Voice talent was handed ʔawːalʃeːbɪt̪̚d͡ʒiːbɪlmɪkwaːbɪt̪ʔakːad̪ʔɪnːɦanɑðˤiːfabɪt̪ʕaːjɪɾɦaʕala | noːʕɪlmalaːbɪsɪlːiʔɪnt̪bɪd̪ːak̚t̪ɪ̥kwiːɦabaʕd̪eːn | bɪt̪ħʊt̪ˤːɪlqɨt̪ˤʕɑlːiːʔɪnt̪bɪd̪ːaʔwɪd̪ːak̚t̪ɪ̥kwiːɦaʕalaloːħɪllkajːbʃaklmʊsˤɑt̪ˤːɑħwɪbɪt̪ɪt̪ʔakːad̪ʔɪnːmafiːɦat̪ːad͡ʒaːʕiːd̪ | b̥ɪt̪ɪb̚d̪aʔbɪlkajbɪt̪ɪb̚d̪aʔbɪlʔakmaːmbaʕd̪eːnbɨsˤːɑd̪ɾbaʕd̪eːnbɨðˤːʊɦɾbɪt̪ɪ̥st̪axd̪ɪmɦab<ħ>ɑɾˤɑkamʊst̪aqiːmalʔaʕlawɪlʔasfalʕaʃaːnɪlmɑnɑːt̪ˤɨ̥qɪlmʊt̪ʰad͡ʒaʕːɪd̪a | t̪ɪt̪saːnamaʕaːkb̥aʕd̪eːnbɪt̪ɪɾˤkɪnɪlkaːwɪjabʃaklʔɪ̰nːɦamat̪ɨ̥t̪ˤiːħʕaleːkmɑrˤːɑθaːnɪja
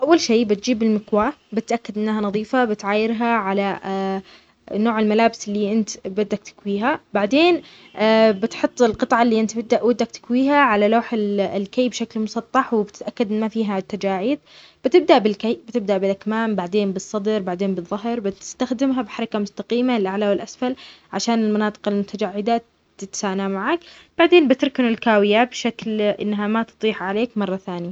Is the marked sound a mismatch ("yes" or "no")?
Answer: no